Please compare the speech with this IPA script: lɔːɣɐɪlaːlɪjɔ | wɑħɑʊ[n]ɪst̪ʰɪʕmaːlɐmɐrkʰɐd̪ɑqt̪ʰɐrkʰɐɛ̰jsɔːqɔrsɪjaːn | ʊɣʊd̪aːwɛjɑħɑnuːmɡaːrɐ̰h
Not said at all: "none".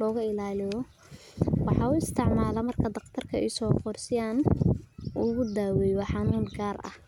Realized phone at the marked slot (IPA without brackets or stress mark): none